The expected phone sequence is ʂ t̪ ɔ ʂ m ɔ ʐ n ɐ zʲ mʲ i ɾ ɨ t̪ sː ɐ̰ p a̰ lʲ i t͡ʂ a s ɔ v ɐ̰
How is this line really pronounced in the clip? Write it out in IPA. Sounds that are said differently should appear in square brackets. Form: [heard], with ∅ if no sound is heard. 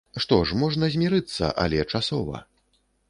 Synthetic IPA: ʂ t̪ ɔ ʂ m ɔ ʐ n ɐ zʲ mʲ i ɾ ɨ t̪ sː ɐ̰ [ʔ] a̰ lʲ [ɛ] t͡ʂ a s ɔ v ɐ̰